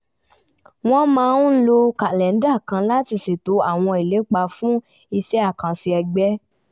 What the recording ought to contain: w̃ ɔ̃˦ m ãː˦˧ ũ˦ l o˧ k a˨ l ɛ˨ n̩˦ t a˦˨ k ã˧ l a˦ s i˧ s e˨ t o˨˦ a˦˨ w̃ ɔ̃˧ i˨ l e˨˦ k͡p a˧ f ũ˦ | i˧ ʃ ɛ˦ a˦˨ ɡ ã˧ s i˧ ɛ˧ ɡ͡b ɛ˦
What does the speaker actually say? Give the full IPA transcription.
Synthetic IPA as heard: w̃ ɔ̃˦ m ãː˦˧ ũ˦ l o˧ k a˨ l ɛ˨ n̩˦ d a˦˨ k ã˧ l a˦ t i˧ s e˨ t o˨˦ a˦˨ w̃ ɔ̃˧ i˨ l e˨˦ k͡p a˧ f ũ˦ | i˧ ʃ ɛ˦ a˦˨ k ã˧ s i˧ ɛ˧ ɡ͡b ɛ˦